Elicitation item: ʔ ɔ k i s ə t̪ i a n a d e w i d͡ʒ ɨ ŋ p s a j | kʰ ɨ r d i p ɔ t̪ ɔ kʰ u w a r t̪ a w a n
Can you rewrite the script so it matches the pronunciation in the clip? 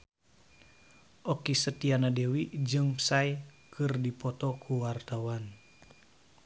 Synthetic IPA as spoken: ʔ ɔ k i s ə t̪ i a n a d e w i d͡ʒ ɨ ŋ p s a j | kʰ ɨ r d i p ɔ t̪ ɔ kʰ u w a r t̪ a w a n